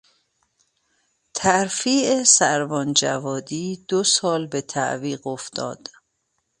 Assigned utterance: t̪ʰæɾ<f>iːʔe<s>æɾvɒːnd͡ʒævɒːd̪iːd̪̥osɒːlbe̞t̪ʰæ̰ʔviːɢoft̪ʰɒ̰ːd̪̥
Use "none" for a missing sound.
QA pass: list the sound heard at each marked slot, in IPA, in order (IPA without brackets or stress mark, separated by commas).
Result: f, s